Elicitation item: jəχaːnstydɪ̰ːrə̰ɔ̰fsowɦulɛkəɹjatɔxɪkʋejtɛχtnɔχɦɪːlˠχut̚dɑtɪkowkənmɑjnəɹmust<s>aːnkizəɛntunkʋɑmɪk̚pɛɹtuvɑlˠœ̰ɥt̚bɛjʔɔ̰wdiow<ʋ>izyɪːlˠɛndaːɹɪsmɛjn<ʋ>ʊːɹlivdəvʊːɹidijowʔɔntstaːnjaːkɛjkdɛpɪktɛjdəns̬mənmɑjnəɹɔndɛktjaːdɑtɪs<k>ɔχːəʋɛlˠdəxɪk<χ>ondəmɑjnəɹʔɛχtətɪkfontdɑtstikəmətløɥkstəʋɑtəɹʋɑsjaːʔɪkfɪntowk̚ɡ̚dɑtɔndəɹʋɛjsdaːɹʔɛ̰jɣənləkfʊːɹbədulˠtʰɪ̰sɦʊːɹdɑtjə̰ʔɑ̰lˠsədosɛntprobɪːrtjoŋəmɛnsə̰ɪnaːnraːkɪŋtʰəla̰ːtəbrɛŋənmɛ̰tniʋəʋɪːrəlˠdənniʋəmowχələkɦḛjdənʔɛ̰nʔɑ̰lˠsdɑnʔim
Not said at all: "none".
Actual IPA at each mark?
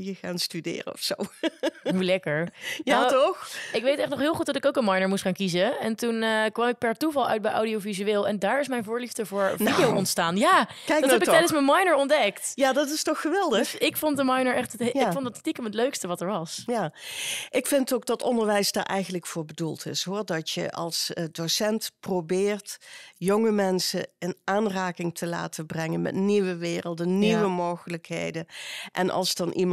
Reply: χ, v, v, t, f

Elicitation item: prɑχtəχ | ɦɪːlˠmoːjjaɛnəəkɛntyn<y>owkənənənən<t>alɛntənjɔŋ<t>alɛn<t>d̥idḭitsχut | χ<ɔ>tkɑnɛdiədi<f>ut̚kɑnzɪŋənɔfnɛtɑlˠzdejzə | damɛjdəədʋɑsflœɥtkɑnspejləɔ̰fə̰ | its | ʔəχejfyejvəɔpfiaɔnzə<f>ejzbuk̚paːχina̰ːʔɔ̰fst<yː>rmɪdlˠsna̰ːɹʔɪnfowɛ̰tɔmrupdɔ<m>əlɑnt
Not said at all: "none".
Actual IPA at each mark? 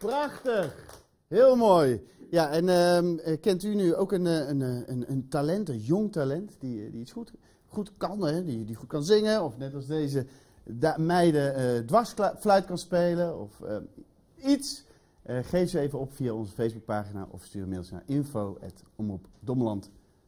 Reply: y, t, t, t, u, χ, f, yː, m

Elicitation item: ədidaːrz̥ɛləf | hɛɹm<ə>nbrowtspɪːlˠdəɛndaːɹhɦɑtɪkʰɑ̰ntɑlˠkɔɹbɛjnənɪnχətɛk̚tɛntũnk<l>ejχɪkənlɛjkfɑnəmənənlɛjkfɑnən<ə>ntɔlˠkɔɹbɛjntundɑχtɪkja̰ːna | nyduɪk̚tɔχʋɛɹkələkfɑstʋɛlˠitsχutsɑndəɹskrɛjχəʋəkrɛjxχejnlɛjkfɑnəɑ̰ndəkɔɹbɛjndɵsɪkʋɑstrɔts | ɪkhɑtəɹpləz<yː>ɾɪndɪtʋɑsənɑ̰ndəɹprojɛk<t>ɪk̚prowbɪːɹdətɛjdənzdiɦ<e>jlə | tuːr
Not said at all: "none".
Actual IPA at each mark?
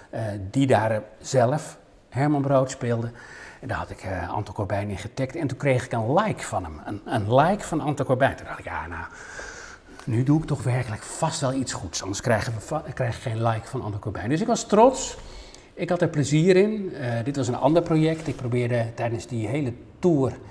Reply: ɑ, r, ɑ, iː, t, e

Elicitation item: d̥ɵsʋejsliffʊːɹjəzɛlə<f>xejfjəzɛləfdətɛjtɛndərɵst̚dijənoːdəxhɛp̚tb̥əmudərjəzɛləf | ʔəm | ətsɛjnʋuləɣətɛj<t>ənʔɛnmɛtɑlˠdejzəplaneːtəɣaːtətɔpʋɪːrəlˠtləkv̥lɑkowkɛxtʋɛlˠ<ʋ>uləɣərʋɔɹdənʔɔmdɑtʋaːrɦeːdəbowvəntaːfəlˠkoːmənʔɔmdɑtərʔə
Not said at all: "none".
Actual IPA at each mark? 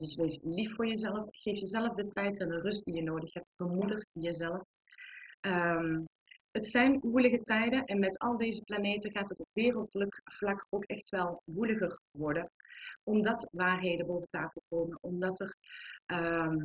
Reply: f, d, ʋ

